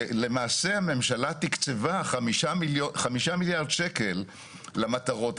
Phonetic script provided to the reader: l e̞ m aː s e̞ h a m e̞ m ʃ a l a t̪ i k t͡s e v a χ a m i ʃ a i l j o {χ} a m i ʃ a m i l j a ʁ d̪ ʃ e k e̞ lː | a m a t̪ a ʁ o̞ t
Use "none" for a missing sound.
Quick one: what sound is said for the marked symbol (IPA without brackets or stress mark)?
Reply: χ